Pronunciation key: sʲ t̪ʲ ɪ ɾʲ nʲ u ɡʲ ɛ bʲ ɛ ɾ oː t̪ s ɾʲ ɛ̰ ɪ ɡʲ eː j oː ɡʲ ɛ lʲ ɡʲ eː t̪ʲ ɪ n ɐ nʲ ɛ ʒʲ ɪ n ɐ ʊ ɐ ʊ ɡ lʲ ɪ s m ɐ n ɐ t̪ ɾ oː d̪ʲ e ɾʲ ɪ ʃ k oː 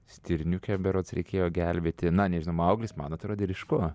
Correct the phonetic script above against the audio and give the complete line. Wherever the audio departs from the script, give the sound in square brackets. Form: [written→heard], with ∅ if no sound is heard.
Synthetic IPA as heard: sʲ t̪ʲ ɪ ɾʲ nʲ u [ɡʲ→kʲ] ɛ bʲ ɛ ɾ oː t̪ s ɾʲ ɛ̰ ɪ [ɡʲ→kʲ] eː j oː ɡʲ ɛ lʲ [ɡʲ→bʲ] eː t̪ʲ ɪ n ɐ nʲ ɛ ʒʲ ɪ n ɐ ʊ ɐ ʊ ɡ lʲ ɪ s m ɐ n ɐ t̪ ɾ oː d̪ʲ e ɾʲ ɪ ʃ k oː